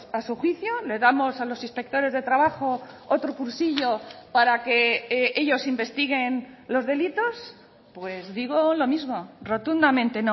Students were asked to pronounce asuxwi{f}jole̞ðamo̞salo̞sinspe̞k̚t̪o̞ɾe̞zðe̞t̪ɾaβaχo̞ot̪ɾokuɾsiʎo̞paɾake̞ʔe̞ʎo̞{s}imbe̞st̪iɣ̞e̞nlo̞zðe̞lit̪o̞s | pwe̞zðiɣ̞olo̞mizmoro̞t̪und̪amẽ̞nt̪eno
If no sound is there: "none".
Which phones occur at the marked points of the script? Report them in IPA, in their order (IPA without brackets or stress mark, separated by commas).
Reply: θ, s